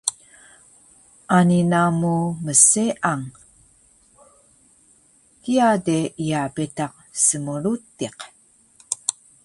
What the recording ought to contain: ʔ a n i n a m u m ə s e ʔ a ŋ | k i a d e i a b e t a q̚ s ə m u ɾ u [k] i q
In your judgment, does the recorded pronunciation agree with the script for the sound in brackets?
no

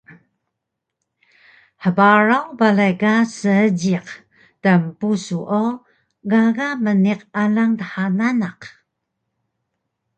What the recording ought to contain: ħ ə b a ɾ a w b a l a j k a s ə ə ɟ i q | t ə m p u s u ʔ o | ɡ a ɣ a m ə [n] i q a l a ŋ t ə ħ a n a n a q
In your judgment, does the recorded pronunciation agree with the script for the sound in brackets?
yes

